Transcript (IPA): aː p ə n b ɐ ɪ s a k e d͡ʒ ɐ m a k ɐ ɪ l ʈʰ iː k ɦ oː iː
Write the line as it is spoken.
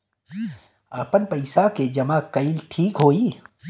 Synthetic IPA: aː p ə n p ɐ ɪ s a k e d͡ʒ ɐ m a k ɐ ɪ l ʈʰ iː k ɦ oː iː

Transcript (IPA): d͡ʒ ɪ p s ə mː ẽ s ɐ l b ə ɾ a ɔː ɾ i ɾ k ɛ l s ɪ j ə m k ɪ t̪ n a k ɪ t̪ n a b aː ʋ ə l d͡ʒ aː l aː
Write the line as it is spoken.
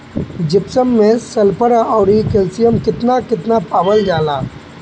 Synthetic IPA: d͡ʒ ɪ p s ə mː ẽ s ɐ l p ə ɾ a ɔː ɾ i k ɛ l s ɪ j ə m k ɪ t̪ n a k ɪ t̪ n a p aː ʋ ə l d͡ʒ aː l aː

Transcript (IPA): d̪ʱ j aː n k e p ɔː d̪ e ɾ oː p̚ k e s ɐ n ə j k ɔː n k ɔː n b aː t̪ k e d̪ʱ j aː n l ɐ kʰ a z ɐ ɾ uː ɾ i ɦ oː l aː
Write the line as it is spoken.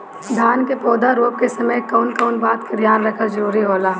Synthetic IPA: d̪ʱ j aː n k e p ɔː d̪ a ɾ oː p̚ k e s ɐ m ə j k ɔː n k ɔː n b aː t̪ k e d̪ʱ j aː n ɾ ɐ kʰ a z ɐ ɾ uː ɾ i ɦ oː l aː

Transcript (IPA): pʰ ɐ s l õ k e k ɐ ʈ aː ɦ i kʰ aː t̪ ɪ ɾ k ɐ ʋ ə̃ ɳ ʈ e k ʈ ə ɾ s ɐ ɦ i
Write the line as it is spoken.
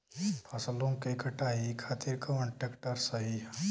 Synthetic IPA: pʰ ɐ s l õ k e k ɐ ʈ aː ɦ i kʰ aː t̪ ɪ ɾ k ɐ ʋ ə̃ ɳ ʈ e k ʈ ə ɾ s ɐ ɦ i

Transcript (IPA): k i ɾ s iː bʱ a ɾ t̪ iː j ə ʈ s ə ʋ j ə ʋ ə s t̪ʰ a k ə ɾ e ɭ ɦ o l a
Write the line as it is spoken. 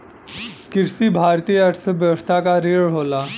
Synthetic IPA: k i ɾ s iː bʱ a ɾ t̪ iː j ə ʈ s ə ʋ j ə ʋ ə s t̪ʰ a k a ɾ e ɭ ɦ o l a

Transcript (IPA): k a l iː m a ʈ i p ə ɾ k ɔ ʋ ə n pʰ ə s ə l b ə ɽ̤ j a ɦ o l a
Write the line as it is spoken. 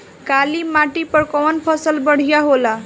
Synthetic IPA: k a l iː m a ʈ i p ə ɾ k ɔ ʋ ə n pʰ ə s ə l b ə ɽ̤ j a ɦ o l a

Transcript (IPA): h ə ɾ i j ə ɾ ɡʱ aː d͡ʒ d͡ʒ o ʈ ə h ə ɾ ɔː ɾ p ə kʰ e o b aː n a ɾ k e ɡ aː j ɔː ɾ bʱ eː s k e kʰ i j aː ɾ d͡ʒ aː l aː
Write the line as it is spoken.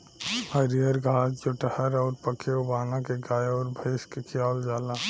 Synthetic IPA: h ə ɾ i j ə ɾ ɡʱ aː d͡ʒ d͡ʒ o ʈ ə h ə ɾ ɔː ɾ p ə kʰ e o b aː n a k e ɡ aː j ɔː ɾ bʱ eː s k e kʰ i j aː l d͡ʒ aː l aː

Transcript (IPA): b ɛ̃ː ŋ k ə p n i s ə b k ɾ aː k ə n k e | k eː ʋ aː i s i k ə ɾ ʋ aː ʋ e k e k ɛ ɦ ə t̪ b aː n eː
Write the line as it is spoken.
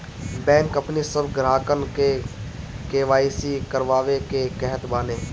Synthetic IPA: b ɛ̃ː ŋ k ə p n i s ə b ɡ ɾ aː k ə n k e | k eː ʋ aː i s i k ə ɾ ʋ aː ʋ e k e k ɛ ɦ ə t̪ b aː n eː

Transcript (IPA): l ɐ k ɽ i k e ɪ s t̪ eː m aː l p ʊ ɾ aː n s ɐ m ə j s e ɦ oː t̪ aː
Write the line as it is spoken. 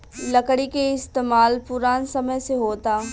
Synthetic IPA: l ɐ k ɽ i k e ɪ s t̪ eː m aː l p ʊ ɾ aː n s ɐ m ə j s e ɦ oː t̪ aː

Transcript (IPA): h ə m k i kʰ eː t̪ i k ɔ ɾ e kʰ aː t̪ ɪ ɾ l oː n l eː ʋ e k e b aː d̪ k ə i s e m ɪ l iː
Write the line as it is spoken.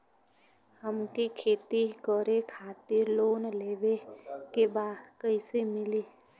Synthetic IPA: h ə m k i kʰ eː t̪ i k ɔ ɾ e kʰ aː t̪ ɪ ɾ l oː n l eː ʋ e k e b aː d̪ k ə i s e m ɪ l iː

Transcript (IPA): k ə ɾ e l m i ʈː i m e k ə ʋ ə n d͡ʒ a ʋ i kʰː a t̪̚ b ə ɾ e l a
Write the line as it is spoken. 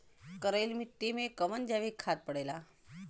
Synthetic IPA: k ə ɾ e l m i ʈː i m e k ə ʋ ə n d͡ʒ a ʋ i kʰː a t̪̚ p ə ɽ e l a

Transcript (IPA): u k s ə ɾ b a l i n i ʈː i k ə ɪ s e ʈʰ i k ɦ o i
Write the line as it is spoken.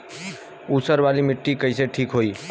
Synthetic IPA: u s ə ɾ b a l i m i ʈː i k ə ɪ s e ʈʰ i k ɦ o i

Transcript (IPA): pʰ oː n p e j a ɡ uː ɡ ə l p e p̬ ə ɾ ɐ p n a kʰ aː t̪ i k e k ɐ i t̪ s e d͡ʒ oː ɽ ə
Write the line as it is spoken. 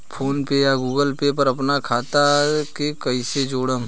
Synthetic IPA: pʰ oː n p e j a ɡ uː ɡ ə l p e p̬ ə ɾ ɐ p n a kʰ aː t̪ a k e k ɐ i s e d͡ʒ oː ɽ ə

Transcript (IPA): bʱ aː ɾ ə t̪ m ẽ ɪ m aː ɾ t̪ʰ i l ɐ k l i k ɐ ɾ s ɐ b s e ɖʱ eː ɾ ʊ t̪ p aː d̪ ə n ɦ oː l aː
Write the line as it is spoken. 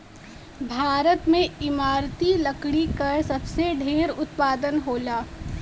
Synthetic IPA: bʱ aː ɾ ə t̪ m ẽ ɪ m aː ɾ t̪ i l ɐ k ɽ i k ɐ ɾ s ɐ b s e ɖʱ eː ɾ ʊ t̪ p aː d̪ ə n ɦ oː l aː

